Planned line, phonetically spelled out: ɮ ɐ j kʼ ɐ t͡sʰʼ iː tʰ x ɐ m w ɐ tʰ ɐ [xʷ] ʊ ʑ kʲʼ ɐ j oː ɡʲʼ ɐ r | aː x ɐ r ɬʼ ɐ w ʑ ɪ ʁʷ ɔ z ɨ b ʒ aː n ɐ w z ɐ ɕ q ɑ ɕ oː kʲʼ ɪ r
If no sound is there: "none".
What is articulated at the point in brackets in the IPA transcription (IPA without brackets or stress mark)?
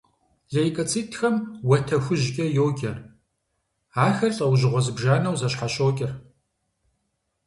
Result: xʷ